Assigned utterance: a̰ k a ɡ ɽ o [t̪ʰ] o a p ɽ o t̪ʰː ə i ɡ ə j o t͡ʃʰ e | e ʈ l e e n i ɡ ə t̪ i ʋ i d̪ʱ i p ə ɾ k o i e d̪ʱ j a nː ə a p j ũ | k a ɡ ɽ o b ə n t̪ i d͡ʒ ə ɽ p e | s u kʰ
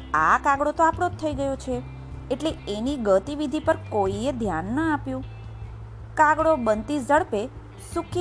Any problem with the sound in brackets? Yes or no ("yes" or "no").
yes